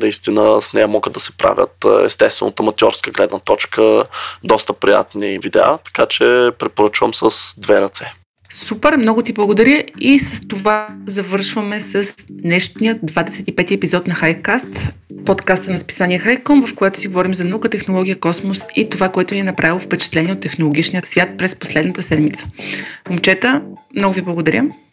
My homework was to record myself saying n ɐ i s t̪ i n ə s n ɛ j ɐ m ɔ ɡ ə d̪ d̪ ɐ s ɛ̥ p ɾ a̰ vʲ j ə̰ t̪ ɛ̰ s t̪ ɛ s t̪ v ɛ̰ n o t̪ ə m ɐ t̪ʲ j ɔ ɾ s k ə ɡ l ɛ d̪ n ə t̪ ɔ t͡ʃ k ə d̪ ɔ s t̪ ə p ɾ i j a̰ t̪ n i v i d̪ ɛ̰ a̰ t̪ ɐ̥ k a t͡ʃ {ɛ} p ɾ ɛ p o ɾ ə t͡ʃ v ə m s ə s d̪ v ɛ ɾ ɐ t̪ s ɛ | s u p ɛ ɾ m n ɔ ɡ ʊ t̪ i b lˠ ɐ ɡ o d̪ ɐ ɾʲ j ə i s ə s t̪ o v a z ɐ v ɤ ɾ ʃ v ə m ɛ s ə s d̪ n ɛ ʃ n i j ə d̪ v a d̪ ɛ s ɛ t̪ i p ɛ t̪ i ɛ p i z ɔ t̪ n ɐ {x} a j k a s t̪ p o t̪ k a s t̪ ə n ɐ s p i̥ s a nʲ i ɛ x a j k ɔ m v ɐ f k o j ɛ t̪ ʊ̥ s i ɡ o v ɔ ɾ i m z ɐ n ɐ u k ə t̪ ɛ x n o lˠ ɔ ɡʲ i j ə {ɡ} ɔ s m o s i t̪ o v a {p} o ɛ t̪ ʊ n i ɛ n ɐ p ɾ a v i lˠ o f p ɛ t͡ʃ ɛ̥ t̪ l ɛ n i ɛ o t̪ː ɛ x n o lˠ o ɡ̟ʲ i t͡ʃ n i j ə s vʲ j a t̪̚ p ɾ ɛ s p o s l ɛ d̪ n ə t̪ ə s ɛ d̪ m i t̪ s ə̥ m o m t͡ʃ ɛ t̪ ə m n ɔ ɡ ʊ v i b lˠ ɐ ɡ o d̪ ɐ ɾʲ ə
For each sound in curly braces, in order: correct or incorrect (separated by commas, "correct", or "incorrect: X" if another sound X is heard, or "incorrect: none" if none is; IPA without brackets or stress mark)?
correct, correct, incorrect: k, incorrect: k